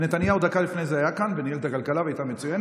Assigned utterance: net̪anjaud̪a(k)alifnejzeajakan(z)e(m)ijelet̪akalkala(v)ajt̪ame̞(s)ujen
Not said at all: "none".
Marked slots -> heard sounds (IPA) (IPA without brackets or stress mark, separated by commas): k, v, n, v, t͡s